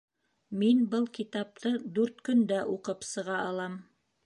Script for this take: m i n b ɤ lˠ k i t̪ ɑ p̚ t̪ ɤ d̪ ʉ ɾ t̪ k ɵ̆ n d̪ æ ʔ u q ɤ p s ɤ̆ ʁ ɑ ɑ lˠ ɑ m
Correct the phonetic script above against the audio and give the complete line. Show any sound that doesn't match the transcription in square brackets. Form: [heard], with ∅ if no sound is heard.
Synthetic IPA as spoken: m i n b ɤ lˠ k i t̪ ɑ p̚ t̪ ɤ d̪ ʉ ɾ t̪ k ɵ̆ n d̪ æ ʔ u q ɤ p s ɤ̆ ʁ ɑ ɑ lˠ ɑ m